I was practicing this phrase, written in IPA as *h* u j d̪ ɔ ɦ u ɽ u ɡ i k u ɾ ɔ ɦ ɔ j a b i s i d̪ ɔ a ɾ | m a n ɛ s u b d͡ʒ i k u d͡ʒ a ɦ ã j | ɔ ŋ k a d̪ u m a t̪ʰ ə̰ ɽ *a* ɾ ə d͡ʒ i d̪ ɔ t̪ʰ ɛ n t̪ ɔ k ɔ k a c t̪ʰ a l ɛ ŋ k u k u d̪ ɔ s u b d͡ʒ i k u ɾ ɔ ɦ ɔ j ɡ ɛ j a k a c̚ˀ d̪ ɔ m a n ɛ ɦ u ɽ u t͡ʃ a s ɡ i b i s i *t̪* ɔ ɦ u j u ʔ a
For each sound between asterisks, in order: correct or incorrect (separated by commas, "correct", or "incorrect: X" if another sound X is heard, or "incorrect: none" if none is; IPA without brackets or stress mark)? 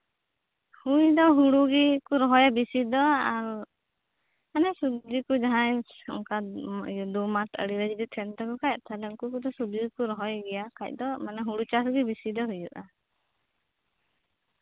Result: correct, incorrect: i, incorrect: d̪